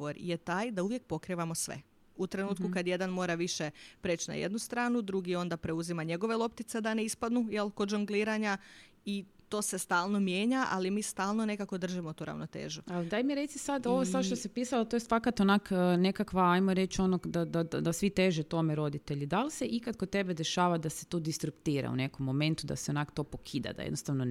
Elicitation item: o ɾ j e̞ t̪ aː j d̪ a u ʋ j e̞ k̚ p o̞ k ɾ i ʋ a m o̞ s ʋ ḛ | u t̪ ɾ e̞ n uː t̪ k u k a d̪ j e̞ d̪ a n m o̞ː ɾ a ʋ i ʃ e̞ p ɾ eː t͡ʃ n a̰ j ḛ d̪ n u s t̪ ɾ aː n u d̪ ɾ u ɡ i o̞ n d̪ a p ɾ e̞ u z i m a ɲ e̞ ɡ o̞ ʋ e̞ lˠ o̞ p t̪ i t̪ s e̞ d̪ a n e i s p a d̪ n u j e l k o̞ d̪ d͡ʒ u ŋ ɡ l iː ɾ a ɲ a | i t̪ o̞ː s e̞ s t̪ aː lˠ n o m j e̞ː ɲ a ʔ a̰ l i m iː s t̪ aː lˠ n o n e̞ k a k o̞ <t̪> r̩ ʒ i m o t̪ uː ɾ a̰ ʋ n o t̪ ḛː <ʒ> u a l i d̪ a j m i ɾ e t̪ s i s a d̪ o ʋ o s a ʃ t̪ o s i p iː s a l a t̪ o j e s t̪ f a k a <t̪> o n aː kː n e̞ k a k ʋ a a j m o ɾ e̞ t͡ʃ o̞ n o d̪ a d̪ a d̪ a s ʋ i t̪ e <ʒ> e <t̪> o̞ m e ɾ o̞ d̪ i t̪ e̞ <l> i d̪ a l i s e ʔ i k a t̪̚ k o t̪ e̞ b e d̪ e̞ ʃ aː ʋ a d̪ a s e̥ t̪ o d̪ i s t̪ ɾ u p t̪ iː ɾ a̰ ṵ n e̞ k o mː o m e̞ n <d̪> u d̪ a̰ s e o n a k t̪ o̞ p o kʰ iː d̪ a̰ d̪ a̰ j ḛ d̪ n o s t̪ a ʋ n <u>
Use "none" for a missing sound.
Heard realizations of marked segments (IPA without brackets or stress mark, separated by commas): d̪, ʒ, t̪, ʒ, t̪, ʎ, t̪, o